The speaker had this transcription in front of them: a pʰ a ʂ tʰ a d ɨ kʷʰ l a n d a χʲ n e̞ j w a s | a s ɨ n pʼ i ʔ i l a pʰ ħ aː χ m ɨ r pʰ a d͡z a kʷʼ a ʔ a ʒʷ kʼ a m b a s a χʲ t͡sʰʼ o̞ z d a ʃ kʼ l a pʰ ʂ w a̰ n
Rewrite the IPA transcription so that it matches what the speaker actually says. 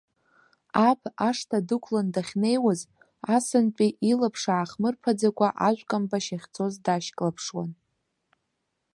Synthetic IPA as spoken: a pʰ a ʂ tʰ a d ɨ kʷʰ l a n d a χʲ n e̞ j w a z | a s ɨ n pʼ i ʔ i l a pʰ ʂ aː χ m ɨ r pʰ a d͡z a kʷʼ a ʔ a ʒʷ kʼ a m b a ʃ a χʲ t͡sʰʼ o̞ z d a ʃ kʼ l a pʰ ʂ w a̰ n